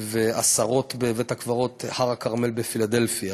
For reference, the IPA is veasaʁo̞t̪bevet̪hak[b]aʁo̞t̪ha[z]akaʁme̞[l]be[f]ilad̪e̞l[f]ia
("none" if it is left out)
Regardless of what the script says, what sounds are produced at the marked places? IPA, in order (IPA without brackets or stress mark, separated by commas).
v, ʁ, l, f, f